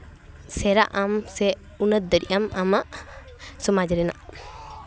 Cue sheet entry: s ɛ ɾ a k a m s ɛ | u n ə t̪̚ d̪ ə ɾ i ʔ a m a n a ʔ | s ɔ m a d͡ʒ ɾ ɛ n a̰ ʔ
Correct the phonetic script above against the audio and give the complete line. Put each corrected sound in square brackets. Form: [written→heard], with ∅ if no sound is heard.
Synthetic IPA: s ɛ ɾ a [k→ʔ] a m s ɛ | u n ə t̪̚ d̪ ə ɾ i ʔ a m a [n→m] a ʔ | s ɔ m a d͡ʒ ɾ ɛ n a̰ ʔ